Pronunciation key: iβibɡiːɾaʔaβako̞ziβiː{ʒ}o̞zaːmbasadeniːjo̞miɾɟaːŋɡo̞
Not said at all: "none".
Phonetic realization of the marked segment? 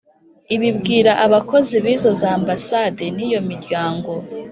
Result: z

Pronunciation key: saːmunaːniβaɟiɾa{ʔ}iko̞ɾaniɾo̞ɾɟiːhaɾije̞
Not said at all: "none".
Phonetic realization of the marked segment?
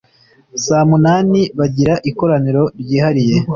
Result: ʔ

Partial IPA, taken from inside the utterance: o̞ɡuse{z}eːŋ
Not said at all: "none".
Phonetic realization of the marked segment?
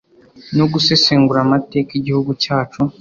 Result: s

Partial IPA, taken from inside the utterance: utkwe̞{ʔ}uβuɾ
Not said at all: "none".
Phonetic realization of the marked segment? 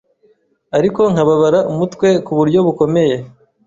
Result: k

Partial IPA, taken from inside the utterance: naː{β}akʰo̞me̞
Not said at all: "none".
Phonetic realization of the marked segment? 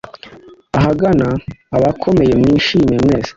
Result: β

